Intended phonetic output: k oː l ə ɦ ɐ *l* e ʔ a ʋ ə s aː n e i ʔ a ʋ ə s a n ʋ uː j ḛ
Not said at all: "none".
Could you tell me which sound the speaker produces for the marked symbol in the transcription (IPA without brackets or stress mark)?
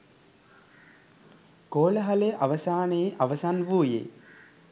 l